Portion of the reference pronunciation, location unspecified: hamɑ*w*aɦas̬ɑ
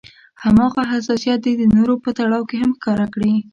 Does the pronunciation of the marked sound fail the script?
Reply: yes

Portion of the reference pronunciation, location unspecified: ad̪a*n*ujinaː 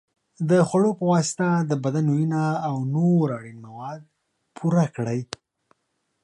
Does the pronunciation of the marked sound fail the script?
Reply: no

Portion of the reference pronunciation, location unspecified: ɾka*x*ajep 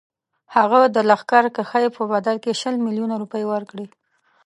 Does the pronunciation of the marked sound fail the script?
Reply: no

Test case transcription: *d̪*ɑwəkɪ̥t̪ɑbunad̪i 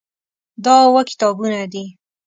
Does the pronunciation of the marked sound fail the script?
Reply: no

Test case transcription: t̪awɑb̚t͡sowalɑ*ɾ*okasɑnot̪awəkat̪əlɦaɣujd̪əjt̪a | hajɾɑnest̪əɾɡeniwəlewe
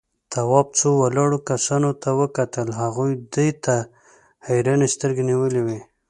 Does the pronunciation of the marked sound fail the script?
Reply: yes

